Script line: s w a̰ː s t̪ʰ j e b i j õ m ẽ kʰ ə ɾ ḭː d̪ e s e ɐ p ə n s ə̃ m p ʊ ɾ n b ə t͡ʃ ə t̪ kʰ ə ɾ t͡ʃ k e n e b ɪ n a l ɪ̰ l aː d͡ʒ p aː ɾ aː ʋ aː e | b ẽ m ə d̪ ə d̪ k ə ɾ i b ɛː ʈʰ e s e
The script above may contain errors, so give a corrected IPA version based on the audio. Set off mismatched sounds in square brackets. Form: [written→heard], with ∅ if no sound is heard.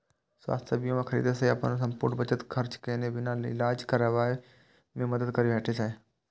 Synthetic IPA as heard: s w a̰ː s t̪ʰ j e b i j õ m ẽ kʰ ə ɾ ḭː d̪ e s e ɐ p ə n s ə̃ m p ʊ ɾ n b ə t͡ʃ ə t̪ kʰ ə ɾ t͡ʃ k e n e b ɪ n a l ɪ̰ l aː d͡ʒ [p→k] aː ɾ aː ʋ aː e | [b→m] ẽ m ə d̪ ə d̪ k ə ɾ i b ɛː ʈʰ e s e